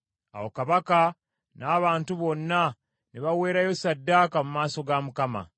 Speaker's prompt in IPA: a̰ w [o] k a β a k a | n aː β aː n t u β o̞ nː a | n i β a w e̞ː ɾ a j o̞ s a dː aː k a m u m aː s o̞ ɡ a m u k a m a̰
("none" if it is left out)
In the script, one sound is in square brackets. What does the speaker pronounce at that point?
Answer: o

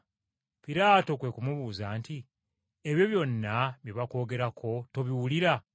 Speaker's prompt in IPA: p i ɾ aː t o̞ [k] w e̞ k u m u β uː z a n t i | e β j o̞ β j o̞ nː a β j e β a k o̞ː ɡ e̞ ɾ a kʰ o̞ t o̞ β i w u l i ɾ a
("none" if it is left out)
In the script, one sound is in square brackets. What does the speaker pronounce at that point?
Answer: k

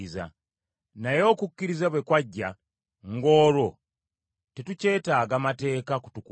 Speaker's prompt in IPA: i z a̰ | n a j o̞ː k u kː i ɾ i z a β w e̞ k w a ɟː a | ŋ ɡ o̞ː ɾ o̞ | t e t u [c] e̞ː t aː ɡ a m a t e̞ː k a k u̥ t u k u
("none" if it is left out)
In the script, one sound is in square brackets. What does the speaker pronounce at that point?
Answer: c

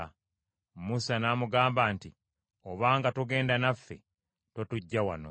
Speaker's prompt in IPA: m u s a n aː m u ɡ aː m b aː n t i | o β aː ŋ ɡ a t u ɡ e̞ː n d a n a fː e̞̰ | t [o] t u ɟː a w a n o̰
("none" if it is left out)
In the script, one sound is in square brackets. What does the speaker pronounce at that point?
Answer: o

